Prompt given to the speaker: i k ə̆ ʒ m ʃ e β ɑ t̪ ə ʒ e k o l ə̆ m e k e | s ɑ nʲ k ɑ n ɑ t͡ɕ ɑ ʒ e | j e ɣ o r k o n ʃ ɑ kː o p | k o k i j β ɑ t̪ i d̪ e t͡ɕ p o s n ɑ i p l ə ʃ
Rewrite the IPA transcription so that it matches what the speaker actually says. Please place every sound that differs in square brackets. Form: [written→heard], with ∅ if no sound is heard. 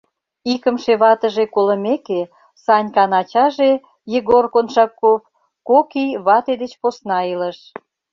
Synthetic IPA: i k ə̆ [ʒ→∅] m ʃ e β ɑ t̪ ə ʒ e k o l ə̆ m e k e | s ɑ nʲ k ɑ n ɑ t͡ɕ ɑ ʒ e | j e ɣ o r k o n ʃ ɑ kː o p | k o k i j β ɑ t̪ [i→e] d̪ e t͡ɕ p o s n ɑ i [p→∅] l ə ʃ